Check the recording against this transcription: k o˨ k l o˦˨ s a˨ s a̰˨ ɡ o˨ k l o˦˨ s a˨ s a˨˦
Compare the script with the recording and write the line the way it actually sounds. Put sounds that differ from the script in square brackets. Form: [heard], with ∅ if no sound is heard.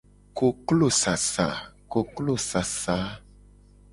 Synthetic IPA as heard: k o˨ k l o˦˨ s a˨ s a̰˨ [k] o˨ k l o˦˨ s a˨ s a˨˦